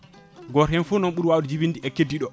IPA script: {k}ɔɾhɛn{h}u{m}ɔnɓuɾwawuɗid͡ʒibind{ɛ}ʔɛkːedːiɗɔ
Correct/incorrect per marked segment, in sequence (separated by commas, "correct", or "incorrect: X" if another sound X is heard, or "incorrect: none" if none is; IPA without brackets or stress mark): incorrect: ɡ, incorrect: f, incorrect: n, incorrect: i